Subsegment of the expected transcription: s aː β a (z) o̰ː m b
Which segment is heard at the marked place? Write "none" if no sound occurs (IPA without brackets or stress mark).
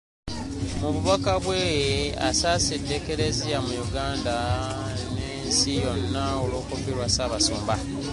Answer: s